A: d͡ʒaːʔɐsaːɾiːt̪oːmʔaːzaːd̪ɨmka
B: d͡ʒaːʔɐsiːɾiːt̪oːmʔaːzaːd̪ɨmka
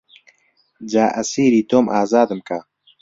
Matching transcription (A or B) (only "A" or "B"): B